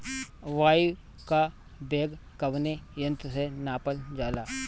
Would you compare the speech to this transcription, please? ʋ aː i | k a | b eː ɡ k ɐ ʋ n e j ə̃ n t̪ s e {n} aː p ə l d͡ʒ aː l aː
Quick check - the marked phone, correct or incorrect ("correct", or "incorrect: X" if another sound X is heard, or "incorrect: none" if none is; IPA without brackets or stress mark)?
correct